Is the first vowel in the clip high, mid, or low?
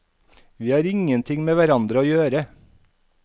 high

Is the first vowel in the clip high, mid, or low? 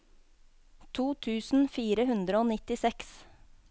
high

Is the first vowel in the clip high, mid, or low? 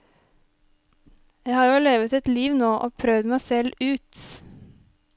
low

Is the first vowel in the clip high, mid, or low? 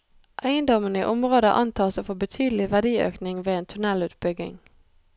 low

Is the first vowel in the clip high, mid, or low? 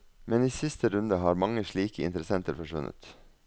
mid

